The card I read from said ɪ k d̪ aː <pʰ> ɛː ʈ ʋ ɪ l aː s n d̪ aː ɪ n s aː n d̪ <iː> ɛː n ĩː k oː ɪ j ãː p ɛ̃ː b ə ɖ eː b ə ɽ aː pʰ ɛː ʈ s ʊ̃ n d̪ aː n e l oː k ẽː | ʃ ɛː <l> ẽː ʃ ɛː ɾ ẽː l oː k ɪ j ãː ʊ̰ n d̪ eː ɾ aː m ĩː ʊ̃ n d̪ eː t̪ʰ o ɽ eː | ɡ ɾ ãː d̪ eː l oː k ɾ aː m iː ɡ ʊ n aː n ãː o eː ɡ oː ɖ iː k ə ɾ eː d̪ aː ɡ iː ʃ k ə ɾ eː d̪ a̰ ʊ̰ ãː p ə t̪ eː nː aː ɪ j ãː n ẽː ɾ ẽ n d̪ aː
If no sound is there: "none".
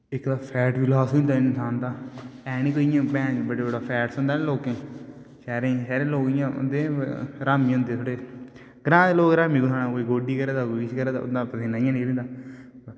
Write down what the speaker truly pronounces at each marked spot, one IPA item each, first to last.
pʰ, aː, ɾ

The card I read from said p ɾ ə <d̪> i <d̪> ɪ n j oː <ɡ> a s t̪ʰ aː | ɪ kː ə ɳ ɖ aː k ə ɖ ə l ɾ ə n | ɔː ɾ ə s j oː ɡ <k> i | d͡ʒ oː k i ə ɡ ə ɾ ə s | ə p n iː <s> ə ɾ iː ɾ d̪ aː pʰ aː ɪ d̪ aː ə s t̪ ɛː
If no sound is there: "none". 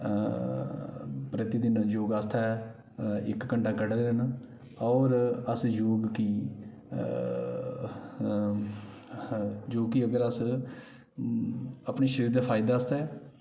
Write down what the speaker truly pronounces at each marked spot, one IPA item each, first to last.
t̪, d̪, ɡ, k, ʃ

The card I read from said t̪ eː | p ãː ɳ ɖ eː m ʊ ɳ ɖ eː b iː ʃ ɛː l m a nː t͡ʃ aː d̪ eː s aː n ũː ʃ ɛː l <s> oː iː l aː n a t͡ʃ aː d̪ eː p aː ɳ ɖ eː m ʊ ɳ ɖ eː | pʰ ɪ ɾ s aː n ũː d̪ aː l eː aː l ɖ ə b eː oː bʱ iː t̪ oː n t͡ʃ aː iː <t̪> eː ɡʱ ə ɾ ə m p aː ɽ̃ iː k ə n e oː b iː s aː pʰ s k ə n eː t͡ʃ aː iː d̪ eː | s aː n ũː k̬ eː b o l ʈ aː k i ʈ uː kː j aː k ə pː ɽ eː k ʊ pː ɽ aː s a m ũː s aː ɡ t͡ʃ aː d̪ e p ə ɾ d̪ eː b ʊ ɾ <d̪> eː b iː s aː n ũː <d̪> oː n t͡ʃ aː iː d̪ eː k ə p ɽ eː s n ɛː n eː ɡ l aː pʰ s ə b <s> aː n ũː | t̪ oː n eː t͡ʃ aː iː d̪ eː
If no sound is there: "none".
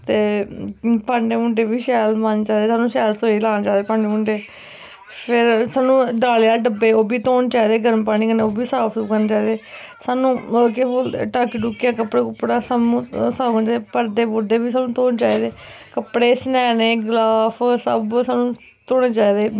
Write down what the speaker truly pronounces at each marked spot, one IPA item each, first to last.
s, d̪, d̪, t̪, s

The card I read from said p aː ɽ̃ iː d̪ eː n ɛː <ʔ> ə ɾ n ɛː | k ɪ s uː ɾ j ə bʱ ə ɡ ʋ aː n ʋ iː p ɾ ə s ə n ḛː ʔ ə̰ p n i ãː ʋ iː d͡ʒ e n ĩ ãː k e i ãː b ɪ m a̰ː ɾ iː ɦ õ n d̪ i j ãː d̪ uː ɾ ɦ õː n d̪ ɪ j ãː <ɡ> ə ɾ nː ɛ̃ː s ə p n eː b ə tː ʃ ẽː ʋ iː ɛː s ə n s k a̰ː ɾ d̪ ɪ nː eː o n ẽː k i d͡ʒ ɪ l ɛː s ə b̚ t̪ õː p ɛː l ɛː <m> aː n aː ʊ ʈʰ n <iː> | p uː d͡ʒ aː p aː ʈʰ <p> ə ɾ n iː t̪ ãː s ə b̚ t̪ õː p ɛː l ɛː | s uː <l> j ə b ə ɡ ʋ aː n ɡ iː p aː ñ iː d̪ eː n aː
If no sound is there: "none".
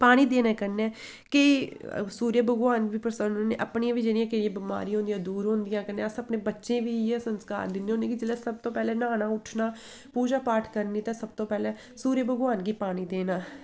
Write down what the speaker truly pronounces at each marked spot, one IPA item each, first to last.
k, k, n, aː, k, ɾ

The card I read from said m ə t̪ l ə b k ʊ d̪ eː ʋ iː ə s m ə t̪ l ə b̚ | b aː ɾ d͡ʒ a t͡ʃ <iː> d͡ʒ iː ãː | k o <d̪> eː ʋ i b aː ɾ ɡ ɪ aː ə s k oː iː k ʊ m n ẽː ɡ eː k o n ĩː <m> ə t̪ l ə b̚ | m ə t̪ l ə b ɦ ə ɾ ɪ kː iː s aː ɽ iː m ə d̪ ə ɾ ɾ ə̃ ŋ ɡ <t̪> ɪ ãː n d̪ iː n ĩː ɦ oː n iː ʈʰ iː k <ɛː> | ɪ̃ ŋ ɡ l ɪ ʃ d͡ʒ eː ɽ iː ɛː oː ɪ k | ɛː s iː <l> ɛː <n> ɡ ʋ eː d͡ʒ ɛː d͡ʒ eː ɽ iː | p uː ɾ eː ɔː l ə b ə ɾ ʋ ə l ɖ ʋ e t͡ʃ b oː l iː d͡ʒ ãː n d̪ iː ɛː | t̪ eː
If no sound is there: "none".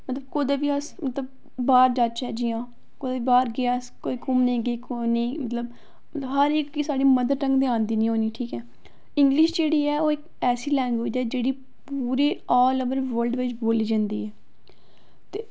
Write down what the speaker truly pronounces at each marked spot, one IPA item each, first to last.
ɛː, d̪, m, d̪, ɛː, l, ŋ

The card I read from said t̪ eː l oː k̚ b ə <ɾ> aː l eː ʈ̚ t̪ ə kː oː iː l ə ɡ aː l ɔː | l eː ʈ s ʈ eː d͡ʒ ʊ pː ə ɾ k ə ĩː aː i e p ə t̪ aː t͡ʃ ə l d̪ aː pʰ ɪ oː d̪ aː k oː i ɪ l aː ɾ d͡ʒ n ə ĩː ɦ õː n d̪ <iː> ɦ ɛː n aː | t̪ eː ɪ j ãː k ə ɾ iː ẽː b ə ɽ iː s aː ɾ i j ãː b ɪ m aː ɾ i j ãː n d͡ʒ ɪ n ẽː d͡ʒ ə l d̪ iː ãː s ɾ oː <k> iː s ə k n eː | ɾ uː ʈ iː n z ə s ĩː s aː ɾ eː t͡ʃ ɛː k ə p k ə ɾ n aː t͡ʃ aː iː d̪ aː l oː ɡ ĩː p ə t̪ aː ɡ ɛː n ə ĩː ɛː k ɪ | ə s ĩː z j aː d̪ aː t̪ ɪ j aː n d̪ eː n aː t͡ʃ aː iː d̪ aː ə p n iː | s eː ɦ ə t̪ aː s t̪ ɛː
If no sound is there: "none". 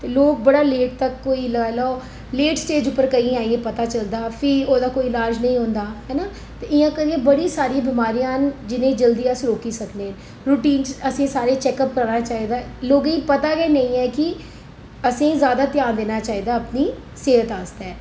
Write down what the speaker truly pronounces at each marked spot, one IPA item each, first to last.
ɽ, aː, k

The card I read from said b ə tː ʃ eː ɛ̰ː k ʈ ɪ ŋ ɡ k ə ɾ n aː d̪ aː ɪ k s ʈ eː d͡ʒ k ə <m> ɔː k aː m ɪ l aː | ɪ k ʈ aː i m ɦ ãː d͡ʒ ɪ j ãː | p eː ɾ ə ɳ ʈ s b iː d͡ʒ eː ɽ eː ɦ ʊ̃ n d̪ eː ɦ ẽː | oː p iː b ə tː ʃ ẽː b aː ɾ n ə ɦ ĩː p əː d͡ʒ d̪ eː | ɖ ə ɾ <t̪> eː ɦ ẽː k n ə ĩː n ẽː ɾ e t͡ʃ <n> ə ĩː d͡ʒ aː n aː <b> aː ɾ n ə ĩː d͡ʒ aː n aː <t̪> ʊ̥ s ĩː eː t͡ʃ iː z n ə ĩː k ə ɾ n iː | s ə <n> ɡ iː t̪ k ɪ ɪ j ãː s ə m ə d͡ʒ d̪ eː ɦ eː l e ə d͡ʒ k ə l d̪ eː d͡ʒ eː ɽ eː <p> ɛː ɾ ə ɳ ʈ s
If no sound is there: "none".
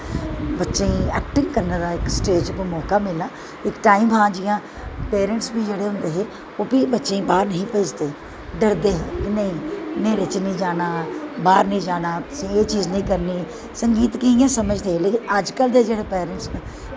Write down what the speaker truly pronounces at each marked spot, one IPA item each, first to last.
m, d̪, n, b, t̪, ŋ, p

